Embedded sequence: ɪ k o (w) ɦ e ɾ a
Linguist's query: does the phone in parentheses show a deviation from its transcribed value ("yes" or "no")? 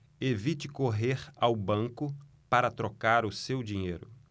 yes